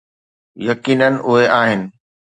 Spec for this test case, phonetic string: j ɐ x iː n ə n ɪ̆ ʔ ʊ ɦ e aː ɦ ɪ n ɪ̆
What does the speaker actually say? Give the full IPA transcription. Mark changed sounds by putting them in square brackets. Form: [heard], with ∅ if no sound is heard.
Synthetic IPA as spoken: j ɐ [k] iː n ə n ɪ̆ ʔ ʊ ɦ e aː ɦ ɪ n ɪ̆